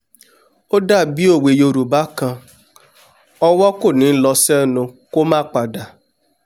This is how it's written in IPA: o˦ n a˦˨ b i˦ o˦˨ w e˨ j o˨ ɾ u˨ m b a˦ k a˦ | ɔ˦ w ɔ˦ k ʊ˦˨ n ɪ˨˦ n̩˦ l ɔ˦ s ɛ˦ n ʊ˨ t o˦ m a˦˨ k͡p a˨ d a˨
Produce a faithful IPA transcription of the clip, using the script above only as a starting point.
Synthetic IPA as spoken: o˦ d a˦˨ b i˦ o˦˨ w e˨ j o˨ ɾ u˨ b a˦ k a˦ | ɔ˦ w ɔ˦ k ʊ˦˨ n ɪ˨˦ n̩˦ l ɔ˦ s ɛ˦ n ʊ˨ k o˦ m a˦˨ k͡p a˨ d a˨